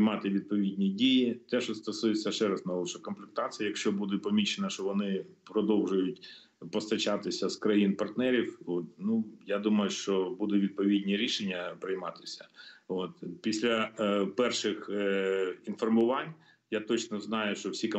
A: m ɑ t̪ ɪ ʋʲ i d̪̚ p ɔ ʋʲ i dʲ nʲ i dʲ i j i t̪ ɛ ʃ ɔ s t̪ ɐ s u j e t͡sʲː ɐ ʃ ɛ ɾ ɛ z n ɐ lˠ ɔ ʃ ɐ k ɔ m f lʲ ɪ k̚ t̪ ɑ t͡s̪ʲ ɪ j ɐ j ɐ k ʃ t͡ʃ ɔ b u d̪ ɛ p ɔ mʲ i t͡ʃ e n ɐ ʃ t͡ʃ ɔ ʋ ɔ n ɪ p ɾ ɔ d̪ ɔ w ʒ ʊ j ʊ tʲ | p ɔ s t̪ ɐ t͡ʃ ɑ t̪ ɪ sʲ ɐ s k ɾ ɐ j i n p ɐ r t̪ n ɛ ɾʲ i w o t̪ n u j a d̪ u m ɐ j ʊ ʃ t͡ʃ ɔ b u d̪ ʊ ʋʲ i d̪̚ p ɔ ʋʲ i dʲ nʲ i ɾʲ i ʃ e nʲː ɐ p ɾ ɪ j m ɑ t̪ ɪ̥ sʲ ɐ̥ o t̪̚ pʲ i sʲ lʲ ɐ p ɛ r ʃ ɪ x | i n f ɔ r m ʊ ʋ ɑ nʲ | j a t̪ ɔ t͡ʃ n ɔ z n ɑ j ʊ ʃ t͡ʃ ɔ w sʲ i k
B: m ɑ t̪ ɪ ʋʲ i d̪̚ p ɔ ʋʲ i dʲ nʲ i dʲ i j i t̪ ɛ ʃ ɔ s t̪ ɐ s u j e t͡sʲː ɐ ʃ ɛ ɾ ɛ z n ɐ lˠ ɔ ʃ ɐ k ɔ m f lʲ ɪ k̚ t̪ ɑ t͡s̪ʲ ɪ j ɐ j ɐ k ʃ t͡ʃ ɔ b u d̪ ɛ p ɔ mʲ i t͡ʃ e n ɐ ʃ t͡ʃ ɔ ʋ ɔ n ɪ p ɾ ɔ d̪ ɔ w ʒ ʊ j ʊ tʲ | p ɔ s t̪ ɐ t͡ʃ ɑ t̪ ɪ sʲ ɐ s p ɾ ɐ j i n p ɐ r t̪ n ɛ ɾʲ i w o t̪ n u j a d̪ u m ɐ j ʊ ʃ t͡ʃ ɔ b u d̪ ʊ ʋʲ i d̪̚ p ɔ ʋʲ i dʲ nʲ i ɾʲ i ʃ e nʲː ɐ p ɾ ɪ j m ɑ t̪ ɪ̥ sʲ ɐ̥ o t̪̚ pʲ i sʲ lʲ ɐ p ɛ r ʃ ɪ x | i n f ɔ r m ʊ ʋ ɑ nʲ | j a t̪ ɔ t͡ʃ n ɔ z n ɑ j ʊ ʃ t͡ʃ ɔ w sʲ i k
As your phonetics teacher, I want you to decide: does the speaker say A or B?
A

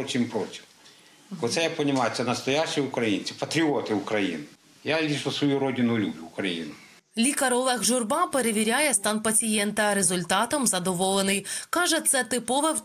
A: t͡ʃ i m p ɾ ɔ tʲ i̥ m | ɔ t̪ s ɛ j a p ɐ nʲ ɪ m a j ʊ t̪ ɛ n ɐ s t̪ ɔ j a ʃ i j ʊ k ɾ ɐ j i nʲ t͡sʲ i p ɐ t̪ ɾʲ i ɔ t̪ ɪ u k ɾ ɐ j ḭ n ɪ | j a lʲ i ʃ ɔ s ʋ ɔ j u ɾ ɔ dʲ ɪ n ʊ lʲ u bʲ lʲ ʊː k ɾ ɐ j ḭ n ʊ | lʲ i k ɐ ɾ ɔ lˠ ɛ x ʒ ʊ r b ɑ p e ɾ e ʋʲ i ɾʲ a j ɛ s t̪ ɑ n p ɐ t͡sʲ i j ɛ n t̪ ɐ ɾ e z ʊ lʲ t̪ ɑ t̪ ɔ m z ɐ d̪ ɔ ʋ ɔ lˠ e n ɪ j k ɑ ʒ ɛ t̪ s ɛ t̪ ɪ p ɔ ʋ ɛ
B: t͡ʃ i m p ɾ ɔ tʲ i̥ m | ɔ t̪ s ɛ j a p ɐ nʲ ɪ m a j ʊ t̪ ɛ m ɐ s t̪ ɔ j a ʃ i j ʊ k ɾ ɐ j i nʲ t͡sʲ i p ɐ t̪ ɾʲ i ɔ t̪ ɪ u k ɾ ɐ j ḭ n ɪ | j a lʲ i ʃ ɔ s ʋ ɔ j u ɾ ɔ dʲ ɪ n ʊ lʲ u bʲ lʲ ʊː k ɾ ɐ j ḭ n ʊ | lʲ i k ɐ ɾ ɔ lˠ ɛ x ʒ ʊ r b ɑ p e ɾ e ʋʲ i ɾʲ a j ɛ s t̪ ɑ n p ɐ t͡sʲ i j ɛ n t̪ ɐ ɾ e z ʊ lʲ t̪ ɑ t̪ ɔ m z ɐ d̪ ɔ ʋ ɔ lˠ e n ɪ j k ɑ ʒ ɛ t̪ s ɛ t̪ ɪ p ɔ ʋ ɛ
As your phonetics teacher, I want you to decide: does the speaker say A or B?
A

